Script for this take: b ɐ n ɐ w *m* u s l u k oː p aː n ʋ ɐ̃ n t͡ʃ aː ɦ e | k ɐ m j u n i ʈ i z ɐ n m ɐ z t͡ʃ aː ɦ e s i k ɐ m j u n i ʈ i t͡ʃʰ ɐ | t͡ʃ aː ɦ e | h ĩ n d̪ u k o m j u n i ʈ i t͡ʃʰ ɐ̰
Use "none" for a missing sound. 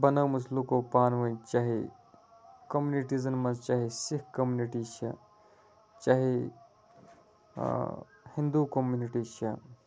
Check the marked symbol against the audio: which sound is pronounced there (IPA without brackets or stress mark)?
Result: m